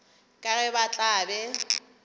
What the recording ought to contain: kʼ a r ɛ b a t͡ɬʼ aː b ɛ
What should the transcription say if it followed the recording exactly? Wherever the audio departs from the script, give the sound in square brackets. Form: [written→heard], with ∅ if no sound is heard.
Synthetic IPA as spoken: kʼ a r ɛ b a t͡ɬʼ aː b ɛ